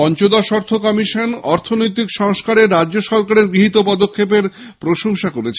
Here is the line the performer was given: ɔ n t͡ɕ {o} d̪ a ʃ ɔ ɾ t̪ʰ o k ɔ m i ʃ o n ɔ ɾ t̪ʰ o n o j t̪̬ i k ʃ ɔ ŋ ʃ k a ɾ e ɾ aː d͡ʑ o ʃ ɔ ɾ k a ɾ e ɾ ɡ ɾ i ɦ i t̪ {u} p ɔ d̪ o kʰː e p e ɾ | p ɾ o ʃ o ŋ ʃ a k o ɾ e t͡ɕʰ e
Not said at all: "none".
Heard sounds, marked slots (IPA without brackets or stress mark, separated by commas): o, o